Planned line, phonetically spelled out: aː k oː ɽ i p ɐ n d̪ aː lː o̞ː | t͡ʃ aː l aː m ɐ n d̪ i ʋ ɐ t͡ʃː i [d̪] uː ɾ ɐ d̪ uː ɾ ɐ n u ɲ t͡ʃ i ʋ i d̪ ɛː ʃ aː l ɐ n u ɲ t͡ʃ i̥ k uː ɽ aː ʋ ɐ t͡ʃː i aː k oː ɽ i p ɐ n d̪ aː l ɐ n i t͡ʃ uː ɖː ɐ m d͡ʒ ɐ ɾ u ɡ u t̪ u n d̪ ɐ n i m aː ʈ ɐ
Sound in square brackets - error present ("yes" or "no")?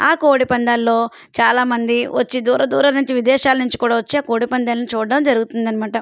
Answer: no